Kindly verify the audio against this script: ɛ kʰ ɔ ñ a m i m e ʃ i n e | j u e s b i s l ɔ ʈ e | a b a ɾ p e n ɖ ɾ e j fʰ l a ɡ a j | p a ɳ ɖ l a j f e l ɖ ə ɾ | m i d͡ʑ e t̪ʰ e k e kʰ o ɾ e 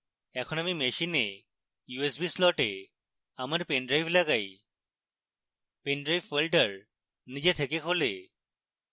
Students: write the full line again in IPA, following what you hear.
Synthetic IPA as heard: ɛ kʰ ɔ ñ a m i m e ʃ i n e | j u e s b i s l ɔ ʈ e | a m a ɾ p e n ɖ ɾ a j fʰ l a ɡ a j | p e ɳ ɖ ɾ a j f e l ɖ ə ɾ | n i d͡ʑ e t̪ʰ e k e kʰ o l e

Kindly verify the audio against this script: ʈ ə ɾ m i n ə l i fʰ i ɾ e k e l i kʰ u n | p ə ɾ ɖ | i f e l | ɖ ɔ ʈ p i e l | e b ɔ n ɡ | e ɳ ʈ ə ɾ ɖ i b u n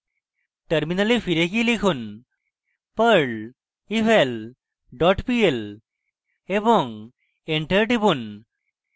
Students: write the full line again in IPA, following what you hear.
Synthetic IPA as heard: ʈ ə ɾ m i n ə l i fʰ i ɾ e k i l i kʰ u n | p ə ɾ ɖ | i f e l | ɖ ɔ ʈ p i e l | e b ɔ ŋ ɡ | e ɳ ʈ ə ɾ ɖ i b u n

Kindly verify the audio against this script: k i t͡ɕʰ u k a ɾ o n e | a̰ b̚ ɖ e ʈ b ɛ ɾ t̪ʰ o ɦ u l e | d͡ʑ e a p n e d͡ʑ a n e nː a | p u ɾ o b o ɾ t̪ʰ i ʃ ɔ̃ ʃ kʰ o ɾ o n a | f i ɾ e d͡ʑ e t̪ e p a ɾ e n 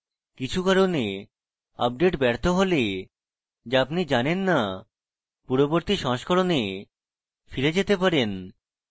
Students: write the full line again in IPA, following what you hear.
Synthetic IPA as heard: k i t͡ɕʰ u k a ɾ o n e | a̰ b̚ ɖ e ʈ b ɛ ɾ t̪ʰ o ɦ o l e | d͡ʑ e a p n i d͡ʑ a n e nː a | p u ɾ o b o ɾ t̪ i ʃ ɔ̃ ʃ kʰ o ɾ o n e | f i ɾ e d͡ʑ e t̪ e p a ɾ e n

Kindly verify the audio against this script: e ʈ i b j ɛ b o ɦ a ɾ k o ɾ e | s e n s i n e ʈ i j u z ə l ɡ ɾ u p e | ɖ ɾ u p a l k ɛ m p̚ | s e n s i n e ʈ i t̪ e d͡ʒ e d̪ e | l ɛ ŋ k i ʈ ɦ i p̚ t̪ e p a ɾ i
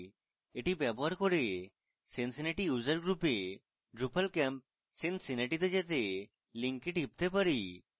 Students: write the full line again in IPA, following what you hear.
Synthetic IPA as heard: e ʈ i b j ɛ b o ɦ a ɾ k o ɾ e | s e n s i n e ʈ i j u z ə ɾ ɡ ɾ u p e | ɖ ɾ u p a l k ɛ m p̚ | s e n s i n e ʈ i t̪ e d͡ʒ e t̪ e | l i ŋ k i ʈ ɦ i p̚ t̪ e p a ɾ i

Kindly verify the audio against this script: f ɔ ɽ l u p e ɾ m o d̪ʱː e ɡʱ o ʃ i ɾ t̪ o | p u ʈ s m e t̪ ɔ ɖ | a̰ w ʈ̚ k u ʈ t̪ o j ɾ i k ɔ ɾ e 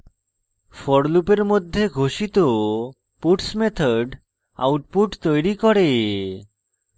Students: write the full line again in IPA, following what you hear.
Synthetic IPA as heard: f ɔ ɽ l u p e ɾ m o d̪ʱː e ɡʱ o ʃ i t̪ o | p u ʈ s m e t̪ʰ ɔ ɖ | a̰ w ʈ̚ p u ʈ t̪ o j ɾ i k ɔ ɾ e

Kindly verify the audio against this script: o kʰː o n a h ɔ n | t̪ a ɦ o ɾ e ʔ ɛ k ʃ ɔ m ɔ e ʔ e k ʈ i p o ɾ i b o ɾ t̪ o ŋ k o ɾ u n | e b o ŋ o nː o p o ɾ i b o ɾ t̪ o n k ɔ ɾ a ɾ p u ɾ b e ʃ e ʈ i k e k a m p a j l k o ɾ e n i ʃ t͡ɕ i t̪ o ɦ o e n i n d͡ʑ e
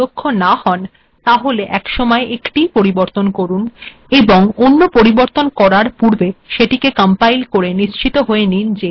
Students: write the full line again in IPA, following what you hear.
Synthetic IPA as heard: o kʰː o n a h ɔ n | t̪ a ɦ o l e ʔ ɛ k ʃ ɔ m ɔ e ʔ e k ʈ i p o ɾ i b o ɾ t̪ o n k o ɾ u n | e b o ŋ o nː o p o ɾ i b o ɾ t̪ o n k ɔ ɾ a ɾ p u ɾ b e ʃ e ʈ i k e k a m p a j l k o ɾ e n i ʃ t͡ɕ i t̪ o ɦ o e n i n d͡ʑ e

